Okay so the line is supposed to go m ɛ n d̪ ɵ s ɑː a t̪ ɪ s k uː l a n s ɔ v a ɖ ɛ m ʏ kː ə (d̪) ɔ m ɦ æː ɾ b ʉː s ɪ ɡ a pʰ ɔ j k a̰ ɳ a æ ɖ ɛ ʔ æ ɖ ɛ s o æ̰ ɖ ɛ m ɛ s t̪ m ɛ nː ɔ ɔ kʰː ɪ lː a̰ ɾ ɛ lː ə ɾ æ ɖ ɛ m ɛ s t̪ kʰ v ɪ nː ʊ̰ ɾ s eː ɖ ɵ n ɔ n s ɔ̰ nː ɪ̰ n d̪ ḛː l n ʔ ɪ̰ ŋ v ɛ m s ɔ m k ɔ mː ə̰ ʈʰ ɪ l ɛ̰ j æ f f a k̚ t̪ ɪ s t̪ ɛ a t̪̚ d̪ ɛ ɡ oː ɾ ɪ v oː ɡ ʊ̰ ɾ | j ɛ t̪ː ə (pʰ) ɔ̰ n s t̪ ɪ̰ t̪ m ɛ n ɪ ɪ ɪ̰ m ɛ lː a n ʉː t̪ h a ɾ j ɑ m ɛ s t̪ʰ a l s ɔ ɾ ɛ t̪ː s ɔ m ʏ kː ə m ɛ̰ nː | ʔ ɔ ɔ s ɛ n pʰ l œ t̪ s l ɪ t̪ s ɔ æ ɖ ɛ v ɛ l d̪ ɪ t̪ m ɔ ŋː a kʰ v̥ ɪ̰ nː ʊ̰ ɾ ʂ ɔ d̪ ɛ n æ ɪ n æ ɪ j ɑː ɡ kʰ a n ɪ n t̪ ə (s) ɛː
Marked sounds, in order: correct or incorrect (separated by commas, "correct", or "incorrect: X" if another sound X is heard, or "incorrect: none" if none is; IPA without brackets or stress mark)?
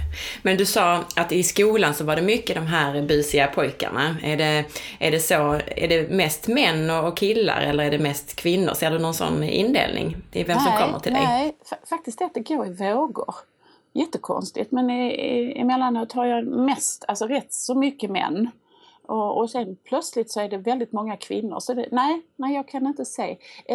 correct, incorrect: kʰ, correct